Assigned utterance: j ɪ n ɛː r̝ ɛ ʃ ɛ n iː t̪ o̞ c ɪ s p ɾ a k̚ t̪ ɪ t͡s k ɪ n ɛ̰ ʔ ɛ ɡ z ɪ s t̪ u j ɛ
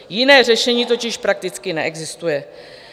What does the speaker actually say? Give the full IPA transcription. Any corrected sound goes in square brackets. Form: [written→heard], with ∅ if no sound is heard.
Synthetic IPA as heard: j ɪ n ɛː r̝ ɛ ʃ ɛ [n→ɲ] iː t̪ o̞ c ɪ [s→ʃ] p ɾ a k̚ t̪ ɪ t͡s k ɪ n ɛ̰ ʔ ɛ ɡ z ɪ s t̪ u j ɛ